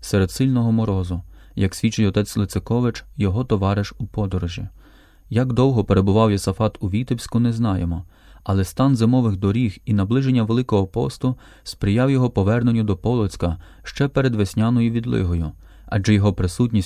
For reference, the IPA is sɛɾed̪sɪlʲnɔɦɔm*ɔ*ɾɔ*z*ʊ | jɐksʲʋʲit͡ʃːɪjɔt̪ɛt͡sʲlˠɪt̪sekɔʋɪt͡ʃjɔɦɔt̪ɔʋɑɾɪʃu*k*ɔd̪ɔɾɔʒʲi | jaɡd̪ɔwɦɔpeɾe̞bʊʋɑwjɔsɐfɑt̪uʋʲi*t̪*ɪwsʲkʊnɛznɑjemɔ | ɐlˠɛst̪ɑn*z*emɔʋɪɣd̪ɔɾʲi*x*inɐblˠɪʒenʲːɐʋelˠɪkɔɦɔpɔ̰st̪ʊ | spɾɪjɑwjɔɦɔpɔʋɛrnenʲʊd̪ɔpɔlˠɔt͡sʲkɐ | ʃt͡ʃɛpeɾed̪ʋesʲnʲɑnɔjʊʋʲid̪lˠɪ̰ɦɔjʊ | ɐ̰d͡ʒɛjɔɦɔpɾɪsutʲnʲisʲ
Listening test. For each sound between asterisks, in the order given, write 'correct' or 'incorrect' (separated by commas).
correct, correct, incorrect, correct, correct, correct